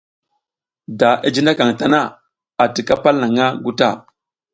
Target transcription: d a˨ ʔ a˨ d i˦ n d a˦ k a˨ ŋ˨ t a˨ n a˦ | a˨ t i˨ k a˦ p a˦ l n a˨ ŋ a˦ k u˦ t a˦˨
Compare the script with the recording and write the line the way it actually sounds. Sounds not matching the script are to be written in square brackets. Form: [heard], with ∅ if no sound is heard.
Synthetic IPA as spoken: d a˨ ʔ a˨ [d͡ʒ] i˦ n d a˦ k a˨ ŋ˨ t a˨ n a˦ | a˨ t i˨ k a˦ p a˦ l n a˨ ŋ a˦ [ɡ] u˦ t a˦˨